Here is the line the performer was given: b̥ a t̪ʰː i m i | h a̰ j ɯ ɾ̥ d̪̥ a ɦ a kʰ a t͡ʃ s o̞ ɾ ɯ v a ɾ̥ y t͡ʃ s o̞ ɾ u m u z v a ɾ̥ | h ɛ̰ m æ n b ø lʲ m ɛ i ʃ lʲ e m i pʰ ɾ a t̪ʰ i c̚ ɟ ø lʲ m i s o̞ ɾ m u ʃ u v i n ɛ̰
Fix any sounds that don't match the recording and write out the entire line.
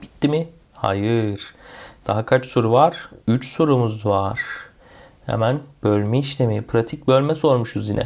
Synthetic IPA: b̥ i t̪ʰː i m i | h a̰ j ɯ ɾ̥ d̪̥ a ɦ a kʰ a t͡ʃ s o̞ ɾ u v a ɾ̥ y t͡ʃ s o̞ ɾ u m u z v a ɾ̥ | h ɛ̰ m æ n b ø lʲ m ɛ i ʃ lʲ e m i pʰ ɾ a t̪ʰ i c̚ b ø lʲ m ɛ s o̞ ɾ m u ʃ u z i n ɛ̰